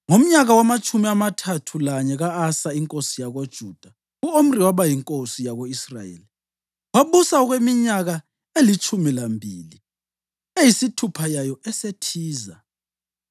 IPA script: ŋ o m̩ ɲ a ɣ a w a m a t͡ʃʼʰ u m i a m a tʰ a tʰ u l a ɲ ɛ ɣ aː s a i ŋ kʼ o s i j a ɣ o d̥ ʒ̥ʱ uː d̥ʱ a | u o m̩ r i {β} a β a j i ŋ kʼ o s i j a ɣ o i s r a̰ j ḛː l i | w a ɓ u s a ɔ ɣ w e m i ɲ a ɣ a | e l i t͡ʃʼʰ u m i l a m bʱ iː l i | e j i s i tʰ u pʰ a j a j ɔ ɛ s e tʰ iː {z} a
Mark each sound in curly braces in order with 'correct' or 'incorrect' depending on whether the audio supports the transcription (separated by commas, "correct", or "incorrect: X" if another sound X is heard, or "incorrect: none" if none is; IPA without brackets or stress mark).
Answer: incorrect: w, correct